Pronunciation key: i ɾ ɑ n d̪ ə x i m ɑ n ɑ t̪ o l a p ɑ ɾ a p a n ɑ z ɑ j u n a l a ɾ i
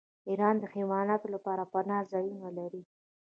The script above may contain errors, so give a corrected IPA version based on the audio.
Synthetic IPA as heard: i ɾ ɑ n d̪ ə x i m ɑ n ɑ t̪ o l a p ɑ ɾ a p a n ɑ z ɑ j u n a l a ɾ i